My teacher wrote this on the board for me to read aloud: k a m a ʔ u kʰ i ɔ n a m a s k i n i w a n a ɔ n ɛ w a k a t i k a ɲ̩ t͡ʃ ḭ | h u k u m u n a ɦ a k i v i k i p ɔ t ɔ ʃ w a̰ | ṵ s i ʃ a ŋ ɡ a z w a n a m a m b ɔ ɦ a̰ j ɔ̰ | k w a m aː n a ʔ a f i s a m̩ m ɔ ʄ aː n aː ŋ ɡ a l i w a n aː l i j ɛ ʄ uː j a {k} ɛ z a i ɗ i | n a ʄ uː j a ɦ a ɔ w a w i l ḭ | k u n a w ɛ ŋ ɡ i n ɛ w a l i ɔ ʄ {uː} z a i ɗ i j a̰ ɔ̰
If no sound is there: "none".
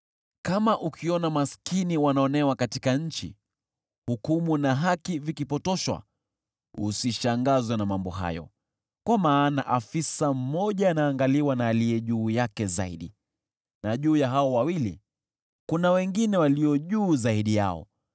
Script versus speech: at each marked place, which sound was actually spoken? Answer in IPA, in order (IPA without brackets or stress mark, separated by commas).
k, uː